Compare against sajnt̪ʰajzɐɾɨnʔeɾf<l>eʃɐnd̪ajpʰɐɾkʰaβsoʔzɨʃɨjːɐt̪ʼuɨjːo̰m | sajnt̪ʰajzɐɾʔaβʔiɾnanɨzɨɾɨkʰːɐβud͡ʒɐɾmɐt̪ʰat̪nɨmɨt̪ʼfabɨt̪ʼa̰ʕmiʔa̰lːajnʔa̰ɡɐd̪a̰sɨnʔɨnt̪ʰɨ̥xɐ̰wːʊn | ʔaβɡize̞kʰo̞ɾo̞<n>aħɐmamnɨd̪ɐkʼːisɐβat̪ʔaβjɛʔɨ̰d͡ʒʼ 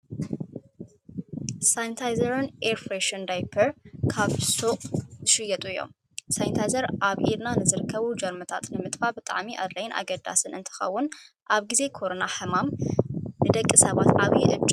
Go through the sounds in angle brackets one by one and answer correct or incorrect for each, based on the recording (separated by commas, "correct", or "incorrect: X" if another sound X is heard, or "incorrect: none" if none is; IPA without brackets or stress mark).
incorrect: ɾ, correct